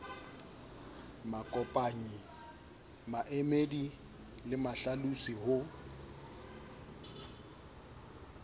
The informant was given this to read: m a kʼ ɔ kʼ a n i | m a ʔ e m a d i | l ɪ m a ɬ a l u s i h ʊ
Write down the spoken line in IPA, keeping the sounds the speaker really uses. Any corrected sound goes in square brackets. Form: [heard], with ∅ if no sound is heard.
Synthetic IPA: m a kʼ ɔ [pʼ] a [ɲ] i | m a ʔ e m [e] d i | l ɪ m a ɬ a l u s i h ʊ